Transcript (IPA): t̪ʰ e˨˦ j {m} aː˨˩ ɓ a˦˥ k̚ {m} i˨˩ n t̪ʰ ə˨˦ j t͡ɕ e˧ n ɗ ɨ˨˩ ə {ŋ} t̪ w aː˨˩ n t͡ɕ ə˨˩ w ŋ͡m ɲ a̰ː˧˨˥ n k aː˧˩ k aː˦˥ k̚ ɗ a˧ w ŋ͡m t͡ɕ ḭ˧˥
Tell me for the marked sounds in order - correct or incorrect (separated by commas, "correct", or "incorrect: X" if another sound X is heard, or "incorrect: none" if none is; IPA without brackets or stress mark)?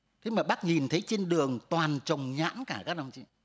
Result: correct, incorrect: ɲ, correct